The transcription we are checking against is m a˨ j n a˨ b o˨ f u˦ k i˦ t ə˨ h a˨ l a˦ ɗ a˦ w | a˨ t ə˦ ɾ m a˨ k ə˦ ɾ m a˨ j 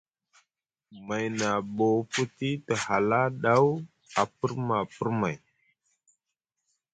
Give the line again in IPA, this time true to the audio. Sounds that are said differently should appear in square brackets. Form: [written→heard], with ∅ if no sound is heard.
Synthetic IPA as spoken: m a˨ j n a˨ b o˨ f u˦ [k→t] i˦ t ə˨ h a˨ l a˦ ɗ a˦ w | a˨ [t→p] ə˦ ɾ m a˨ [k→p] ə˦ ɾ m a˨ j